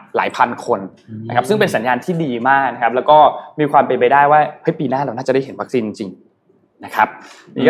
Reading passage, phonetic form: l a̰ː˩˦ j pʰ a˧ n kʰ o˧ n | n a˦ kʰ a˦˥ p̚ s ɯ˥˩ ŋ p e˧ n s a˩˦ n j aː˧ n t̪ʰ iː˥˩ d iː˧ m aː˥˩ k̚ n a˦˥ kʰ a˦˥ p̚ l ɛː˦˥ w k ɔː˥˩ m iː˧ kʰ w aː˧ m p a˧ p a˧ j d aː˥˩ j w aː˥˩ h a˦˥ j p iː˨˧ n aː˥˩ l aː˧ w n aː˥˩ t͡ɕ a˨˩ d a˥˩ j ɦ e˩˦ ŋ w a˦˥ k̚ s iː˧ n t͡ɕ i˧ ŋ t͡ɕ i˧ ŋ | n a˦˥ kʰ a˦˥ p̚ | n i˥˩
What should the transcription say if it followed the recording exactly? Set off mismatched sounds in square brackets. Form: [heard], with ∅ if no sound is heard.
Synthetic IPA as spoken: l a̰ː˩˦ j pʰ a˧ n kʰ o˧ n | n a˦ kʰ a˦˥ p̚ s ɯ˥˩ ŋ p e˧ n s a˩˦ n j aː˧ n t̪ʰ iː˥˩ d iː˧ m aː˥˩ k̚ n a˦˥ kʰ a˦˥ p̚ l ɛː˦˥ w k ɔː˥˩ m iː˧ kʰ w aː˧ m p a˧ p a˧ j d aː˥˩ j w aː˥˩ h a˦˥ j p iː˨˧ n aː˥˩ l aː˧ w n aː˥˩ t͡ɕ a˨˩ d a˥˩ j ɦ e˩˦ [n] w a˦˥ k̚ s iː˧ n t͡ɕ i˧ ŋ t͡ɕ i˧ ŋ | n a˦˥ kʰ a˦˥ p̚ | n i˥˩